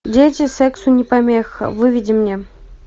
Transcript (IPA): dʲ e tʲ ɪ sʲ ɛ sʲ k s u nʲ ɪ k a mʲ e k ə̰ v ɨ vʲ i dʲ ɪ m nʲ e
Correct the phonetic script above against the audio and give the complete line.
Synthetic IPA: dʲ e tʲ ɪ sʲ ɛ k s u nʲ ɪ p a mʲ e x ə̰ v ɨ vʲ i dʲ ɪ m nʲ e